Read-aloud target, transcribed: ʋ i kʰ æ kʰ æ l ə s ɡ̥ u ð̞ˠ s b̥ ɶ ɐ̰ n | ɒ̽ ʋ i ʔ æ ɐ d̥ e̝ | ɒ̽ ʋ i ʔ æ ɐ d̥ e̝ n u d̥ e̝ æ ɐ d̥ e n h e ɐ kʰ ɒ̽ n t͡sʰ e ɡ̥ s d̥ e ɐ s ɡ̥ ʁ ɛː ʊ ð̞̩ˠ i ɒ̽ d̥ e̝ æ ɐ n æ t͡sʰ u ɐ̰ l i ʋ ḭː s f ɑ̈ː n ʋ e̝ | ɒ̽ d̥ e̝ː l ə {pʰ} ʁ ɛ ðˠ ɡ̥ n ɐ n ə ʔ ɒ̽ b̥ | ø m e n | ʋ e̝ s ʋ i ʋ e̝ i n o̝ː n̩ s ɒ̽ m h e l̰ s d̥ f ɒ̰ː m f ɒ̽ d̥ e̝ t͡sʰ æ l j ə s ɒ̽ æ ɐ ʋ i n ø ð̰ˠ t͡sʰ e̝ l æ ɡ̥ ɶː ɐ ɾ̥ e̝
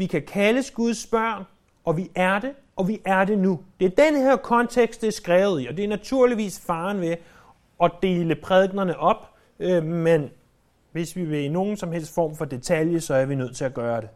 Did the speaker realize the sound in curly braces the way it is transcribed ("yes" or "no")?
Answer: yes